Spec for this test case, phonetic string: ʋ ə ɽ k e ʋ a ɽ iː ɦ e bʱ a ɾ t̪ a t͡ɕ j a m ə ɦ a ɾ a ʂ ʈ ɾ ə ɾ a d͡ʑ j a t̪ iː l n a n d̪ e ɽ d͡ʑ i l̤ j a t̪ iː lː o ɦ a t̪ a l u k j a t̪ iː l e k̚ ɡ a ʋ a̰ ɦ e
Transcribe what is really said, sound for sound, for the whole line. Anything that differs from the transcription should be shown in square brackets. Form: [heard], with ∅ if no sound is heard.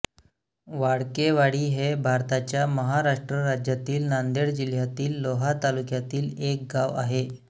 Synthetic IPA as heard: ʋ [a] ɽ k e ʋ a ɽ iː ɦ e bʱ a ɾ t̪ a t͡ɕ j a m ə ɦ a ɾ a ʂ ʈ ɾ ə ɾ a d͡ʑ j a t̪ iː l n a n d̪ e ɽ d͡ʑ i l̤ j a t̪ iː lː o ɦ a t̪ a l u k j a t̪ iː l e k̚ ɡ a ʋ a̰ ɦ e